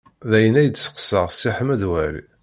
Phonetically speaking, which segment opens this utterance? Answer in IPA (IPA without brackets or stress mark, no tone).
ð